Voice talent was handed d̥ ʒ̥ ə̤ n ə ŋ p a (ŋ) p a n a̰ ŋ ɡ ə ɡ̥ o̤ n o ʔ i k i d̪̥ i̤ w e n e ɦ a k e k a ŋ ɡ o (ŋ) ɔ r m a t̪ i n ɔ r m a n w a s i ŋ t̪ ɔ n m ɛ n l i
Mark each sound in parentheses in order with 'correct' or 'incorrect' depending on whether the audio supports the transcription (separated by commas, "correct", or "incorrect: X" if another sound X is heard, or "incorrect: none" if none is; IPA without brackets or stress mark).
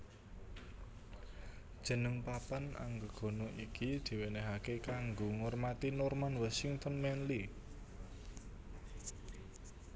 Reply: incorrect: none, correct